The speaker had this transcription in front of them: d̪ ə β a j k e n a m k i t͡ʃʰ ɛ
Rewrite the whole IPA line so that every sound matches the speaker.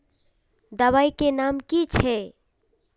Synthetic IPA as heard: d̪ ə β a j k e n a m k i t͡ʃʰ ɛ